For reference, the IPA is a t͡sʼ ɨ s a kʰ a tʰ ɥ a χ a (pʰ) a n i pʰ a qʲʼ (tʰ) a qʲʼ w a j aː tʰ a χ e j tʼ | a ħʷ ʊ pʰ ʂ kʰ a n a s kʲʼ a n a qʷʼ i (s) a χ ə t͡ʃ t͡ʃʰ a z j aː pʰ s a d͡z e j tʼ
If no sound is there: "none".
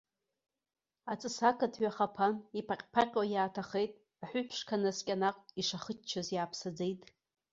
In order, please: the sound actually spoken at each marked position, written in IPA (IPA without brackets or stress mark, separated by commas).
pʰ, pʰ, ʂ